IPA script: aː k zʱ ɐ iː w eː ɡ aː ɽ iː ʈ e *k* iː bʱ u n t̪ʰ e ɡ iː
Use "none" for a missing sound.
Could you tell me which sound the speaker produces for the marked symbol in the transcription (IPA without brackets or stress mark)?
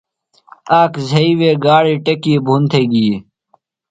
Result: k